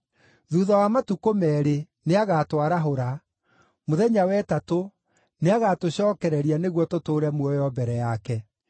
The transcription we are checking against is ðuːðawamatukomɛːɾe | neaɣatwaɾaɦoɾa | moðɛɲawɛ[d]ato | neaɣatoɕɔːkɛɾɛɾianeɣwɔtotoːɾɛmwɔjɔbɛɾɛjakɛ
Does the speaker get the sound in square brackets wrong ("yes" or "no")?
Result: yes